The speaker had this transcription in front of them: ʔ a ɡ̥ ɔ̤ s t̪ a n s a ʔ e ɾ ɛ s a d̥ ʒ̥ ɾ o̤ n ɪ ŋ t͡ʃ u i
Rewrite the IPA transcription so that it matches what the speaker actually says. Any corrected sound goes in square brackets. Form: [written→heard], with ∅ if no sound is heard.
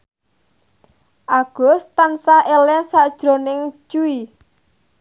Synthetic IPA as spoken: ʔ a ɡ̥ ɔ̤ s t̪ a n s a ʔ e [ɾ→l] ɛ s a d̥ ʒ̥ ɾ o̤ n ɪ ŋ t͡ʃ u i

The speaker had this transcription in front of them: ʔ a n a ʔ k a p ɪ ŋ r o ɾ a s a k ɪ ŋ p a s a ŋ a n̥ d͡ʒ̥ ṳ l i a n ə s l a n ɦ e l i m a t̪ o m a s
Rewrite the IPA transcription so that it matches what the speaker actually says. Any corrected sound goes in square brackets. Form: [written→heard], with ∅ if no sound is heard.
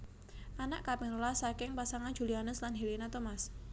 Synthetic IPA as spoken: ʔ a n a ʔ k a p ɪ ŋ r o [ɾ→l] a s a k ɪ ŋ p a s a ŋ a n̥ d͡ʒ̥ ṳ l i a n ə s l a n ɦ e l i [m→n] a t̪ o m a s

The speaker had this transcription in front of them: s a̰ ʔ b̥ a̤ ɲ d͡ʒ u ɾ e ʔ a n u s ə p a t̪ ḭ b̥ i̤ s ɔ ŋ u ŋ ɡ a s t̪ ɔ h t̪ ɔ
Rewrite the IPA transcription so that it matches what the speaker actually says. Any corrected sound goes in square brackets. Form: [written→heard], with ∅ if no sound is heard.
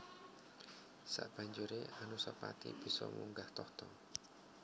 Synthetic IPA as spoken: s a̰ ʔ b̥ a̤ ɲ d͡ʒ u ɾ e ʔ a n u s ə p a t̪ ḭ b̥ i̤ s ɔ [ŋ→m] u ŋ ɡ a [s→h] t̪ ɔ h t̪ ɔ

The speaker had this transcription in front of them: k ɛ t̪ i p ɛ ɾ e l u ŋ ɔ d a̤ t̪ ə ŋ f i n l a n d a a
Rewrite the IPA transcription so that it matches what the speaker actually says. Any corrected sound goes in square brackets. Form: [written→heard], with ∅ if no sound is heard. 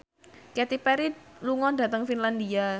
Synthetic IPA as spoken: k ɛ t̪ i p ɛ ɾ [e→i] l u ŋ ɔ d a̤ t̪ ə ŋ f i n l a n d [a→i] a

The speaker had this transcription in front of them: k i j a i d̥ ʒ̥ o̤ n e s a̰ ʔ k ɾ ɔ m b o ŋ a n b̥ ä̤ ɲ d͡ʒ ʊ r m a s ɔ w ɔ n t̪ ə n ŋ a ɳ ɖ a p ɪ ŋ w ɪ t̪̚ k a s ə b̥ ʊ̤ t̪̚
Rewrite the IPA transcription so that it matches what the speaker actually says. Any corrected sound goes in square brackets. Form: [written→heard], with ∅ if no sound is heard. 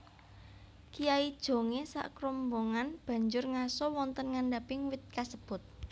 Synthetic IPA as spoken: k i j a i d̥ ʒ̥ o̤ [n→ŋ] e s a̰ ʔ k ɾ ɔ m b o ŋ a n b̥ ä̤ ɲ d͡ʒ ʊ r [m→ŋ] a s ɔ w ɔ n t̪ ə n ŋ a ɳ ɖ a p ɪ ŋ w ɪ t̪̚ k a s ə b̥ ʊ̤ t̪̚

